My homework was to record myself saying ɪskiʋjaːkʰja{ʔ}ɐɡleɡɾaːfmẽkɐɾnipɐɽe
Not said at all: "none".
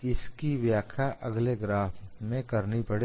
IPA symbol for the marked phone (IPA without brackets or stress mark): ʔ